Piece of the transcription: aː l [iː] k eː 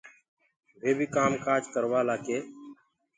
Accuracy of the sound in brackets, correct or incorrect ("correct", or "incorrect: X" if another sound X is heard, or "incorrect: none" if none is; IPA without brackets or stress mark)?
incorrect: aː